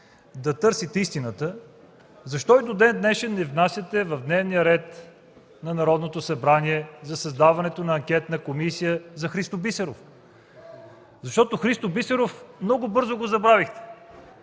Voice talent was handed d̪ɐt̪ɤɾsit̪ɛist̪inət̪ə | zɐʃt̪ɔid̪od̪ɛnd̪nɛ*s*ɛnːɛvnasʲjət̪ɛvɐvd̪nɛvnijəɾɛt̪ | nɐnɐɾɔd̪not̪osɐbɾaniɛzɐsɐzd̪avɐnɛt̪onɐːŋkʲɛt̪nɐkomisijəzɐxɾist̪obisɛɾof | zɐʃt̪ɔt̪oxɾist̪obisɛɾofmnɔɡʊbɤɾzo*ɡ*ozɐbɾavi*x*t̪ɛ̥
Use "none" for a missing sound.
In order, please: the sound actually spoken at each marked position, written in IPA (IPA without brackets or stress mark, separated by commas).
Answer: ʃ, ɡ, x